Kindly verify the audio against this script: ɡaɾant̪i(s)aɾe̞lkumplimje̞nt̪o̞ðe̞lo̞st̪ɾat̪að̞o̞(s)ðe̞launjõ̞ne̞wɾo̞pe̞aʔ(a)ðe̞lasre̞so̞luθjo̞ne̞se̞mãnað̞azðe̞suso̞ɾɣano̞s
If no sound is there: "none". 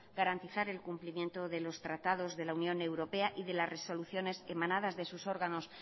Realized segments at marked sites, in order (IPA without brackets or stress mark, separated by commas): θ, z, i